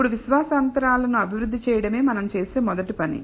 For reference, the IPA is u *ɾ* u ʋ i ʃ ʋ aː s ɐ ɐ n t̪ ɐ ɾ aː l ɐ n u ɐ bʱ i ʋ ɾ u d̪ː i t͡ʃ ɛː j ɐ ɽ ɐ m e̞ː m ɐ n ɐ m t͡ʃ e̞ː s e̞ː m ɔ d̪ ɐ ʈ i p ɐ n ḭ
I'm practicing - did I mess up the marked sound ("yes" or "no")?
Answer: yes